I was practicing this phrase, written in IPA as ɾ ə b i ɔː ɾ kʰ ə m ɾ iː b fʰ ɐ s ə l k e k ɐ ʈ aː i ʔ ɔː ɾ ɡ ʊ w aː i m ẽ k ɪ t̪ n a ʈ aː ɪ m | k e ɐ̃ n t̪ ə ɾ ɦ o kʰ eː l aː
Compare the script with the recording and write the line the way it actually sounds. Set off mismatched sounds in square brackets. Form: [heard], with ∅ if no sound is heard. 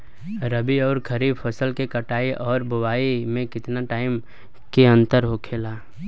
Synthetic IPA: ɾ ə b i ɔː ɾ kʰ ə [∅] ɾ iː b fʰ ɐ s ə l k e k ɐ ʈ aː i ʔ ɔː ɾ [b] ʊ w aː i m ẽ k ɪ t̪ n a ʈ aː ɪ m | k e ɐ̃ n t̪ ə ɾ ɦ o kʰ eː l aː